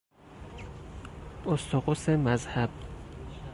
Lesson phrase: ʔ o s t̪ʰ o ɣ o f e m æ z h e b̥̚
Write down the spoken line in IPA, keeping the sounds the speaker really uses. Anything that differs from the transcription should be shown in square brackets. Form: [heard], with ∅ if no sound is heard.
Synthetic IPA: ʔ o s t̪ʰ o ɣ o [s] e m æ z h [æ] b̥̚